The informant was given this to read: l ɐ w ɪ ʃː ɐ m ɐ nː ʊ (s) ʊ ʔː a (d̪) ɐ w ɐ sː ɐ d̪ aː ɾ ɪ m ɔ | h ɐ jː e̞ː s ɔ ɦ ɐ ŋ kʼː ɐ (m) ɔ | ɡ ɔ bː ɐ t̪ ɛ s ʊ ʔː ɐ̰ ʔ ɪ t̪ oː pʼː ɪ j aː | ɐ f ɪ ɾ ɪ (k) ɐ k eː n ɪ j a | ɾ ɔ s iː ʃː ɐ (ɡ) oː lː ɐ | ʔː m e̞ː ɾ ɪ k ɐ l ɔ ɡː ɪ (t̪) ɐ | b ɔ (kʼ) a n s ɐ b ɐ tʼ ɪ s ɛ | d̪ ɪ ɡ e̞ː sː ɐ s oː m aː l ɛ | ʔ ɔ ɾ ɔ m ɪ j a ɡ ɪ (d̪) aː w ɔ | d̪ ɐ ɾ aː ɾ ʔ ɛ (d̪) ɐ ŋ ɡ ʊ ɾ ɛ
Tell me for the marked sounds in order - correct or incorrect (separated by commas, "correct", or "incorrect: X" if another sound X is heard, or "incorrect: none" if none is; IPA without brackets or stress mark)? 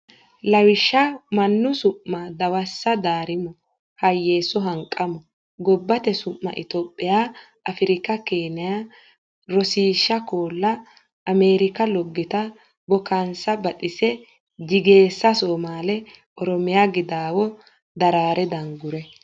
correct, correct, correct, correct, incorrect: k, correct, incorrect: k, correct, correct